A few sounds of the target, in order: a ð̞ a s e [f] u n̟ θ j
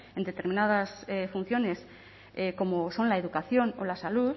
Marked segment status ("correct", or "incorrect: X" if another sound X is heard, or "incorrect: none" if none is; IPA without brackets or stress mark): correct